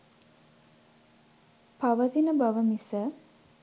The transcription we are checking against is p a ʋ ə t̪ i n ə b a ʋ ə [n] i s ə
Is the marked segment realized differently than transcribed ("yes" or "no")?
yes